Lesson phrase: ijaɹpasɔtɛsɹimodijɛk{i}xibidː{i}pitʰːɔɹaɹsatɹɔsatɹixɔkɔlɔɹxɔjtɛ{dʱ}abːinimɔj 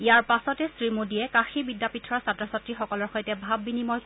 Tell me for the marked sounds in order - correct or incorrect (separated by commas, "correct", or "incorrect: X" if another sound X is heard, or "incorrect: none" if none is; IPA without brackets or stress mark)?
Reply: incorrect: a, incorrect: a, incorrect: bʱ